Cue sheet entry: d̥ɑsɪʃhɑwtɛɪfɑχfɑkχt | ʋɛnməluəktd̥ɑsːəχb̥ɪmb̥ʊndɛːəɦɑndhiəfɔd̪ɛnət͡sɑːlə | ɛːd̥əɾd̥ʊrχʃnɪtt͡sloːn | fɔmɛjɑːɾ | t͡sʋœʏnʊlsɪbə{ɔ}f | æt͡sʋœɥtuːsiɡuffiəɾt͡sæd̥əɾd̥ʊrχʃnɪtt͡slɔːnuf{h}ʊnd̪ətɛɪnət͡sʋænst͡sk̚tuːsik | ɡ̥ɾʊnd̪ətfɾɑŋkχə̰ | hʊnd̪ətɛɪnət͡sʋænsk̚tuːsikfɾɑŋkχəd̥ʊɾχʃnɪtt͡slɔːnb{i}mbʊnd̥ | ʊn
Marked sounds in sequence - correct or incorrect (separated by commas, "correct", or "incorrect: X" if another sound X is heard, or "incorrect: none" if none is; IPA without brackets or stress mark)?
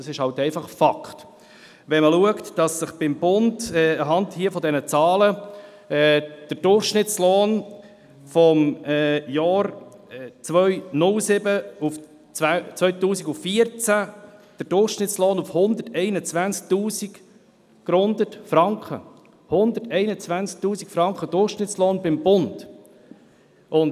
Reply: incorrect: u, correct, incorrect: ɪ